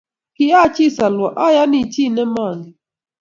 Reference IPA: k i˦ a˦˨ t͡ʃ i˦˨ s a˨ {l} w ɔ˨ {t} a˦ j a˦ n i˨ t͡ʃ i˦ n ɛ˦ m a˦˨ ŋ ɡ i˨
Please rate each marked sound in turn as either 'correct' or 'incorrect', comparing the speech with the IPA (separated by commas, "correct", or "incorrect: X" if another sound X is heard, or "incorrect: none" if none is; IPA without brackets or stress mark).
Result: correct, incorrect: ʔ